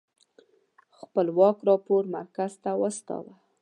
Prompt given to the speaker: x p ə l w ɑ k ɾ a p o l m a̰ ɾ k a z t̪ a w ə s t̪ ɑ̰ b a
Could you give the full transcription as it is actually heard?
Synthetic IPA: x p ə l w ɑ k ɾ ɑ p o ɾ m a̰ ɾ k a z t̪ a w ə s t̪ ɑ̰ w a